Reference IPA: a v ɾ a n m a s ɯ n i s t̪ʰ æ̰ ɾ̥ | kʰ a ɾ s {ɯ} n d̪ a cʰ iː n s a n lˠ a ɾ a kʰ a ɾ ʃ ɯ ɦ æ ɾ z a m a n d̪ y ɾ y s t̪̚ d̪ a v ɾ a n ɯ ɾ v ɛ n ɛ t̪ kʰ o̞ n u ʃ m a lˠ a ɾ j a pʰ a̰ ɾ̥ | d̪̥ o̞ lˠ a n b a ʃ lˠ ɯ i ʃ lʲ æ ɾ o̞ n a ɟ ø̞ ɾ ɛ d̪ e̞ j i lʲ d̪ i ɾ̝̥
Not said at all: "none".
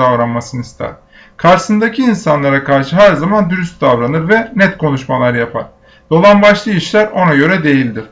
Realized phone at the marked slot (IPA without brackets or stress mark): ɯ